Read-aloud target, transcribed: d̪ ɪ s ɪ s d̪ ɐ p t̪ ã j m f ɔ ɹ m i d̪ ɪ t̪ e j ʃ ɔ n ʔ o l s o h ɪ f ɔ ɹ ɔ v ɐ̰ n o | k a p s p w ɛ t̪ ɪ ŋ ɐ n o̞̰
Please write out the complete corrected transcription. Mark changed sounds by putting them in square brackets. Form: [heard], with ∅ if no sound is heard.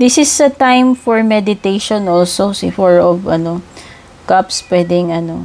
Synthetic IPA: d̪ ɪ s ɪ s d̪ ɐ [∅] t̪ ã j m f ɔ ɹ m [ɛ] d̪ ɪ t̪ e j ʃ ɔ n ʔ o l s o [s] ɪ f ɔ ɹ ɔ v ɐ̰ n o | k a p s p w ɛ [d̪] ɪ ŋ ɐ n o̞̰